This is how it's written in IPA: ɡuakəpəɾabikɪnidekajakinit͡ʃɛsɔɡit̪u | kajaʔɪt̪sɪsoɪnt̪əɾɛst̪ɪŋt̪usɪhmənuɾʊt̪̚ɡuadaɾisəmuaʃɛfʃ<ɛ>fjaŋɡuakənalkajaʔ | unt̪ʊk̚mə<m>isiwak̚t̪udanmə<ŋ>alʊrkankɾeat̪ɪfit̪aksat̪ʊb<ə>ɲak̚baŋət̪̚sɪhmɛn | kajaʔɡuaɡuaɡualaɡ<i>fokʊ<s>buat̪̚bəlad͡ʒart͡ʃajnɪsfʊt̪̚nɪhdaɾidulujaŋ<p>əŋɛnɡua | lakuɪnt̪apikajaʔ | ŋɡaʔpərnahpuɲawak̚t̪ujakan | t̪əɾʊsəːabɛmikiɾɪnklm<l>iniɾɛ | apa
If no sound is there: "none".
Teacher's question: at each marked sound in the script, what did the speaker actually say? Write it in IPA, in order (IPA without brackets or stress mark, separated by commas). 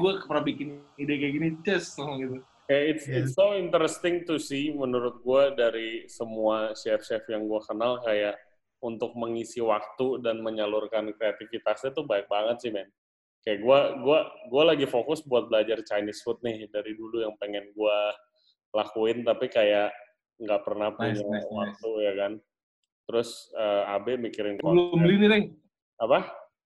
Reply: ɛ, ŋ, ɲ, a, i, s, p, l